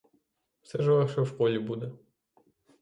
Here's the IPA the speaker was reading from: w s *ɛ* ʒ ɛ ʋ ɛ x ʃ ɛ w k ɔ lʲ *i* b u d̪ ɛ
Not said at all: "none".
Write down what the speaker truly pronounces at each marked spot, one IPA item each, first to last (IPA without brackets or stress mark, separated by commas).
ɛ, i